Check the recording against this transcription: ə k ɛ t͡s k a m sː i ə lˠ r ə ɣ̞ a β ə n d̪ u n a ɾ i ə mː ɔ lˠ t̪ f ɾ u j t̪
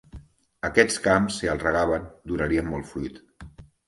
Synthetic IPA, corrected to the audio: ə k ɛ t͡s k a m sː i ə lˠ r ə ɣ̞ a β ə n d̪ u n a ɾ i ə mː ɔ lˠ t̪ f ɾ u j t̪